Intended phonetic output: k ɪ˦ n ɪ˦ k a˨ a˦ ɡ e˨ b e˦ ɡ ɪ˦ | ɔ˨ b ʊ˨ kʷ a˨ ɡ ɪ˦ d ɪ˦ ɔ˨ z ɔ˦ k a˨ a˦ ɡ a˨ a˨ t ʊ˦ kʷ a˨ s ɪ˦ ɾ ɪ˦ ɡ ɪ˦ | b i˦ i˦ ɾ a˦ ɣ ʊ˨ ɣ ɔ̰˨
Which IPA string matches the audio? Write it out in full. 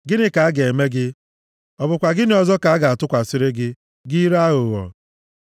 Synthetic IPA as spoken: ɡ ɪ˦ n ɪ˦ k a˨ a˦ ɡ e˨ m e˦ ɡ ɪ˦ | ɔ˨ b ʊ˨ kʷ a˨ ɡ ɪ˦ n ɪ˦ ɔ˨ z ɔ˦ k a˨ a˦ ɡ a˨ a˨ t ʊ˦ kʷ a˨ s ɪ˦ ɾ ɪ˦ ɡ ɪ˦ | ɡ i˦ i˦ ɾ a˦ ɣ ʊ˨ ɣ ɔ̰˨